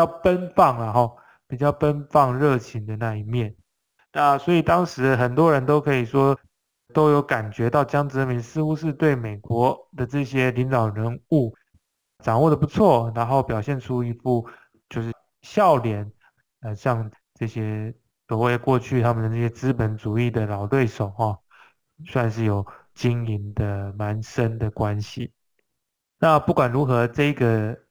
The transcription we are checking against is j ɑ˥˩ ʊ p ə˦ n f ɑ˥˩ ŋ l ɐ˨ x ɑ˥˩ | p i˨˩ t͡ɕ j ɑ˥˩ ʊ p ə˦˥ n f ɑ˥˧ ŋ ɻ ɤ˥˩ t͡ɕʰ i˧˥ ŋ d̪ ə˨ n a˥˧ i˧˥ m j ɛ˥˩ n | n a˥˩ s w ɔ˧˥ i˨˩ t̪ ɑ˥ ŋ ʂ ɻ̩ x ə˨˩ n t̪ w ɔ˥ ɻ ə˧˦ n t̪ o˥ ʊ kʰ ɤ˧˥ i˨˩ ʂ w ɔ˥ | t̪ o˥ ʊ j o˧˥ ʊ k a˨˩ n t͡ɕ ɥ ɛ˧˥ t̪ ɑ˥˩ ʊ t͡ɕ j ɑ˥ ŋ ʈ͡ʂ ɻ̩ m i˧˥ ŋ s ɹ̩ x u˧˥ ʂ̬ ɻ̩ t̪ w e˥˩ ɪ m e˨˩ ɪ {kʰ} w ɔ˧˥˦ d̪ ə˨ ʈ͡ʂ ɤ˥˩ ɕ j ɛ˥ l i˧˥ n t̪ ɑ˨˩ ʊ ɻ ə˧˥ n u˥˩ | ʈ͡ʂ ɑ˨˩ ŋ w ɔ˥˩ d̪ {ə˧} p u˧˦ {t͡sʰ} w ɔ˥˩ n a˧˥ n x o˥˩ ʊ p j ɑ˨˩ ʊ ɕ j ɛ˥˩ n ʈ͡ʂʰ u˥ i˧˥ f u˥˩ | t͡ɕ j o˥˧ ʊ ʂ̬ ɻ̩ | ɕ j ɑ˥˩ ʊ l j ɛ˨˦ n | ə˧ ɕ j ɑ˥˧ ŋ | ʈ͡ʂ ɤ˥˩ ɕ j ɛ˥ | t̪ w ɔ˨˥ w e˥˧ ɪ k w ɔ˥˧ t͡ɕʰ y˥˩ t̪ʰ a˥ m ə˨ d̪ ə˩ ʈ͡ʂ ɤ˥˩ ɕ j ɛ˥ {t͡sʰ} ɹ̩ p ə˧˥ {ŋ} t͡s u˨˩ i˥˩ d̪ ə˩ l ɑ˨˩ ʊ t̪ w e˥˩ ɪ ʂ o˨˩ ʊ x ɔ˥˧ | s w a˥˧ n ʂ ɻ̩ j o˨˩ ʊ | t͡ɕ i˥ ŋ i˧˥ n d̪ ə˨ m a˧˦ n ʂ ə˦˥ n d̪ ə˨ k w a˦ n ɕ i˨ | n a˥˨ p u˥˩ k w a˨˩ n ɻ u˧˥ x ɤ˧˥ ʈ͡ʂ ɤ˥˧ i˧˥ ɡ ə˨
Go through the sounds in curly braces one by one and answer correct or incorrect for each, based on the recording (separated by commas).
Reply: incorrect, incorrect, correct, incorrect, incorrect